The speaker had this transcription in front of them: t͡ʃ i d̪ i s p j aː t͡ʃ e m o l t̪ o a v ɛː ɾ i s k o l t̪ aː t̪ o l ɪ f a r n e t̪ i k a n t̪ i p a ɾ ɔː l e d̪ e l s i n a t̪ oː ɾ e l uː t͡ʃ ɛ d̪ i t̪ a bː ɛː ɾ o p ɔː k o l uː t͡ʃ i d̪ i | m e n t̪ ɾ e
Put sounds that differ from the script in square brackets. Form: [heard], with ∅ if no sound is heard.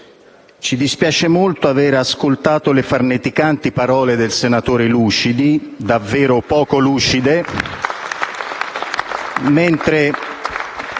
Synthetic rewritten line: t͡ʃ i d̪ i s p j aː t͡ʃ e m o l t̪ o a v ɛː ɾ [a] s k o l t̪ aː t̪ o l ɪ f a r n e t̪ i k a n t̪ i p a ɾ ɔː l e d̪ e l s [e] n a t̪ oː ɾ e l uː t͡ʃ [i] d̪ i [d̪] a [vː] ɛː ɾ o p ɔː k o l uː t͡ʃ i d̪ [e] | m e n t̪ ɾ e